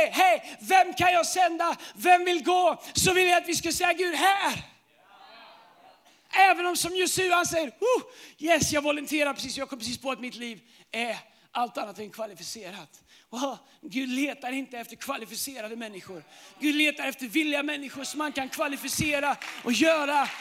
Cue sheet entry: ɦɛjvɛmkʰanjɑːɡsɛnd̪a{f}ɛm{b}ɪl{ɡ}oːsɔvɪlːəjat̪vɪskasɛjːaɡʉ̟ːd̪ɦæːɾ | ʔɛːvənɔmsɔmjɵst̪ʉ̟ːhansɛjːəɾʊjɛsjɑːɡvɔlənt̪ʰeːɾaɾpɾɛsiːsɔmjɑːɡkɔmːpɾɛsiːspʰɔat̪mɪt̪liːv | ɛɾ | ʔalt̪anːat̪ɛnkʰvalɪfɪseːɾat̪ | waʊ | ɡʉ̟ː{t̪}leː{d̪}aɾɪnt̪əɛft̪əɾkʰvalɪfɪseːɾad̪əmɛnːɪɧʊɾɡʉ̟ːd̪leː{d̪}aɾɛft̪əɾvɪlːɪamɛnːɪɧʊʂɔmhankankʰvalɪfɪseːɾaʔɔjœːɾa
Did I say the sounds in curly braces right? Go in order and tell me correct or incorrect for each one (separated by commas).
incorrect, incorrect, correct, incorrect, incorrect, incorrect